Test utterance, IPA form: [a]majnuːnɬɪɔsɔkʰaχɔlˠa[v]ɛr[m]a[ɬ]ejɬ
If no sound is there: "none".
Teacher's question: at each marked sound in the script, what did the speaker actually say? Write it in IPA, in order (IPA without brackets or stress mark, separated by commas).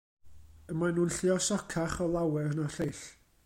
ə, w, n, ɬ